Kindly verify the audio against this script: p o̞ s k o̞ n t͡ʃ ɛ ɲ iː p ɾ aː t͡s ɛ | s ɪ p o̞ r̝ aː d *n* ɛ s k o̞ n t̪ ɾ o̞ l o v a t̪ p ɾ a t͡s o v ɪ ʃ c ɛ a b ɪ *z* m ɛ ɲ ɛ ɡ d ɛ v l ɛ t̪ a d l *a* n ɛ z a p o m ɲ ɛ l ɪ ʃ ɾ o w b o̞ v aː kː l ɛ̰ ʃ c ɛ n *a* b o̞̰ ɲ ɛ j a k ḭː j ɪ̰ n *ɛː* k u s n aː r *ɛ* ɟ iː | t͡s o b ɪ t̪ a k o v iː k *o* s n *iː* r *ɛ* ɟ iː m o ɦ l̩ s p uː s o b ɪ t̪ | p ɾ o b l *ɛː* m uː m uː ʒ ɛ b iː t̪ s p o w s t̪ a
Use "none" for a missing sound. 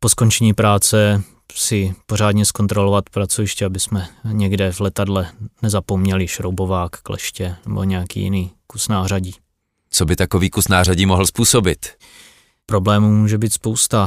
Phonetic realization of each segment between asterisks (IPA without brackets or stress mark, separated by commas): ɲ, s, ɛ, ɛ, iː, a, u, aː, a, ɛː